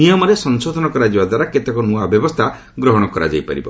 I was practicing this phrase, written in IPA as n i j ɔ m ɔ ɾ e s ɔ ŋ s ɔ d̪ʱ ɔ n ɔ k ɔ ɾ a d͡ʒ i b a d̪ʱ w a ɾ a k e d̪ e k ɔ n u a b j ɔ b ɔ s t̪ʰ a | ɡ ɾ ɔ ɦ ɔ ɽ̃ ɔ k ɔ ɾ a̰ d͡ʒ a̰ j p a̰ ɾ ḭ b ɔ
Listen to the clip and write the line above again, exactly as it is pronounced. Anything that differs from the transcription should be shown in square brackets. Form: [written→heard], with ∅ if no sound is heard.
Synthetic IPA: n i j ɔ m ɔ ɾ e s ɔ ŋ s [ɔ→o] d̪ʱ ɔ n ɔ k ɔ ɾ a d͡ʒ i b a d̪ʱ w a ɾ a k e [d̪→t̪] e k ɔ n u a b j ɔ b ɔ s t̪ʰ a | ɡ ɾ ɔ ɦ ɔ ɽ̃ ɔ k ɔ ɾ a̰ d͡ʒ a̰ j p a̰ ɾ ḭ b ɔ